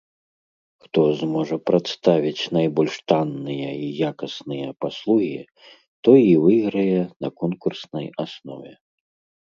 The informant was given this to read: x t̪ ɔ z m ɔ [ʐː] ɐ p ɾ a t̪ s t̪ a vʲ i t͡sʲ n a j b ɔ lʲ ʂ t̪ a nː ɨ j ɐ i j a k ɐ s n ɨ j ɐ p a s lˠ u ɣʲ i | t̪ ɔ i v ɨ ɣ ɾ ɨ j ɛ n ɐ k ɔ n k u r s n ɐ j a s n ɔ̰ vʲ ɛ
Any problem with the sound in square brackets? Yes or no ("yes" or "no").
yes